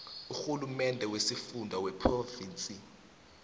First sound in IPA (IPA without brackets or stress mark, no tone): u